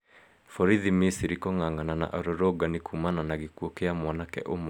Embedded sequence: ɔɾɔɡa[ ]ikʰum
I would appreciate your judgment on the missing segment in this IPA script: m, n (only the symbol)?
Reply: n